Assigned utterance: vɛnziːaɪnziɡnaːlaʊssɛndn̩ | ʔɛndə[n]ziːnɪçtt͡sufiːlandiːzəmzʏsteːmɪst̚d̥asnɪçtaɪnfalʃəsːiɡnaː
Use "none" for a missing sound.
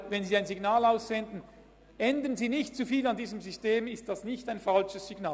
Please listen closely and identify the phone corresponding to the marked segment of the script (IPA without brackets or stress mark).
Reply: n